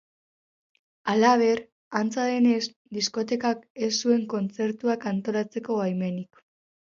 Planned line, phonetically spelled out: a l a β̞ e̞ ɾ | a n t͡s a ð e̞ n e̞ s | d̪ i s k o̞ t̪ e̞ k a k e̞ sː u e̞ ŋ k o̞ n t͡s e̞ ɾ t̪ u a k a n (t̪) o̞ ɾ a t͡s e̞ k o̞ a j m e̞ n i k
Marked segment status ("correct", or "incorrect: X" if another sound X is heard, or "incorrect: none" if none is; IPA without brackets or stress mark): correct